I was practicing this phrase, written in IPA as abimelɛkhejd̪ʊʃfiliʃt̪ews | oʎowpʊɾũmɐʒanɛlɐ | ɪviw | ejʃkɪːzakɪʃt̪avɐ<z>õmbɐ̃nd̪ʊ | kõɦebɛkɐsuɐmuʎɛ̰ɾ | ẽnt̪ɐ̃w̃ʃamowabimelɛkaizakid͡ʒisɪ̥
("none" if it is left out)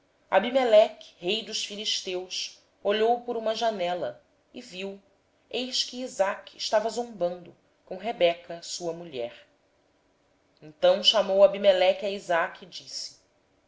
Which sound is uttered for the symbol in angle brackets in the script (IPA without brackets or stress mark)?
z